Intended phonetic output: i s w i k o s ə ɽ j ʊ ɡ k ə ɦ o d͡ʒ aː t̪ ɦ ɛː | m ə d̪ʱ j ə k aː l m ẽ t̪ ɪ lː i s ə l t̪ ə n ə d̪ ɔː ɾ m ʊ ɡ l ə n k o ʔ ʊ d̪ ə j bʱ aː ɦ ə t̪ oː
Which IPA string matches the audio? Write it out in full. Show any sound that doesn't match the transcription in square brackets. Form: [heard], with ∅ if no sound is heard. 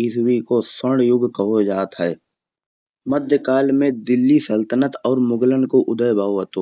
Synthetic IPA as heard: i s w i k o s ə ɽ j ʊ ɡ k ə ɦ o d͡ʒ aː t̪ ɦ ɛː | m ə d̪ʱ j ə k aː l m ẽ [d̪] ɪ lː i s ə l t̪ ə n ə [t̪] ɔː ɾ m ʊ ɡ l ə n k o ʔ ʊ d̪ ə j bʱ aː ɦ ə t̪ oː

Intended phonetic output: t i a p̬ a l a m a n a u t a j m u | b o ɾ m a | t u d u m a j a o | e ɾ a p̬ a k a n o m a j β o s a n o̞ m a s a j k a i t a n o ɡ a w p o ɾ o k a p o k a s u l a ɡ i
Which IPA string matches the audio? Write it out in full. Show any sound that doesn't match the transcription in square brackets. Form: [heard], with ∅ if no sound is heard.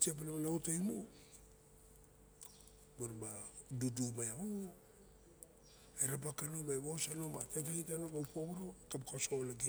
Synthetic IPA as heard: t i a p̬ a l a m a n a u t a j m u | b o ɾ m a | [d] u d u m a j a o | e ɾ a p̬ a k a n o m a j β o s a n o̞ m a [t] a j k a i t a n o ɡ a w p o ɾ o k a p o k a s [o] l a ɡ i

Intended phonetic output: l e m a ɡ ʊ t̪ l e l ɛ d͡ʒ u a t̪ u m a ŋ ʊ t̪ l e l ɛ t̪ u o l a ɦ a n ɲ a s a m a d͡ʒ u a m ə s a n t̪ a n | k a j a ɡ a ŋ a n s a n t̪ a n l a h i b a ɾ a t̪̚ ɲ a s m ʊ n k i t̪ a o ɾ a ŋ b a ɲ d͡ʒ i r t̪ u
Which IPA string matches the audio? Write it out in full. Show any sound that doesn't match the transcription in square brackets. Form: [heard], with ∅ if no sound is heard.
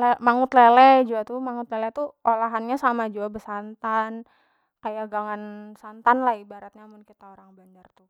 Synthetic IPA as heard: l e m a [ŋ] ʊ t̪ l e l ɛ d͡ʒ u a t̪ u m a ŋ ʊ t̪ l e l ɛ t̪ u o l a ɦ a n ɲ a s a m a d͡ʒ u a [b] ə s a n t̪ a n | k a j a ɡ a ŋ a n s a n t̪ a n l a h i b a ɾ a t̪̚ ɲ a [∅] m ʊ n k i t̪ a o ɾ a ŋ b a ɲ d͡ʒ [a] r t̪ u

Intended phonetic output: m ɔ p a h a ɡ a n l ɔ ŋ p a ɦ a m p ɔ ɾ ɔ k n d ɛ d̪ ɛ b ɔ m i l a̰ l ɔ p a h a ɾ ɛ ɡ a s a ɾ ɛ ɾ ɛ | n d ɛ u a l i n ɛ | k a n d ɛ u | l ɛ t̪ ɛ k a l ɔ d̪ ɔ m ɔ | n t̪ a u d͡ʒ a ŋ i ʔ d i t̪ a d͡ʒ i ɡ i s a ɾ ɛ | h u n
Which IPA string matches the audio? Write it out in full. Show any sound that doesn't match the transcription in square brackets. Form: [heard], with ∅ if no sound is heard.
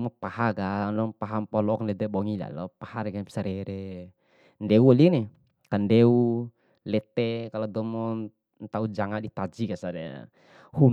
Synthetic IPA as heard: m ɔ p a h a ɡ a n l ɔ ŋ p a ɦ a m p ɔ [l] ɔ k n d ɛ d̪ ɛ b ɔ [ŋ] i l a̰ l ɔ p a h a ɾ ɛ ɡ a s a ɾ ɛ ɾ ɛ | n d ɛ u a l i n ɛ | k a n d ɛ u | l ɛ t̪ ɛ k a l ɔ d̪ ɔ m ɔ | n t̪ a u d͡ʒ a ŋ [a] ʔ d i t̪ a d͡ʒ i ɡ [a] s a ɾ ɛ | h u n

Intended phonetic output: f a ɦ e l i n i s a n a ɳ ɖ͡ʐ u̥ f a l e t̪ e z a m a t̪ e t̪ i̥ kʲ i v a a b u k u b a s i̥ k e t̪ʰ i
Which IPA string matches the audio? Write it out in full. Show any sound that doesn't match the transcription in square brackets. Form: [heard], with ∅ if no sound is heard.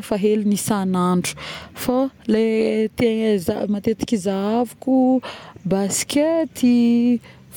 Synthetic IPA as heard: f a ɦ e l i n i s a n a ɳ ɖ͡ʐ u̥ f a l e t̪ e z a m a t̪ e t̪ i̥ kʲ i [z] a a [v] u k u b a s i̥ k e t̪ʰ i

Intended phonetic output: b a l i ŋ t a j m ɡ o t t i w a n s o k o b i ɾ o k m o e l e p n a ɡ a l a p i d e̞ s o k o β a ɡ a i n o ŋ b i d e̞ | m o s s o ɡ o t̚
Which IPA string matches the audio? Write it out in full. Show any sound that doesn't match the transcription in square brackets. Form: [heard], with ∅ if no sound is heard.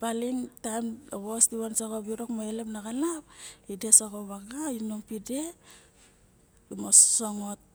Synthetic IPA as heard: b a l i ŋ t a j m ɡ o [s] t i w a n s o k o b i ɾ o k m o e l e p n a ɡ a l a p i d e̞ s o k o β a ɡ a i n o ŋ [p] i d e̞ | m o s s o [ŋ] o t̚

